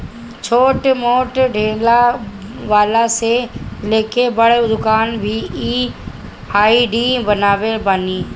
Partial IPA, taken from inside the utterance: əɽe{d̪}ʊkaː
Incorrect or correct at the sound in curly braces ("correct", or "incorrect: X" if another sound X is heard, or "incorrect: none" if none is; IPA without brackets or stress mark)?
correct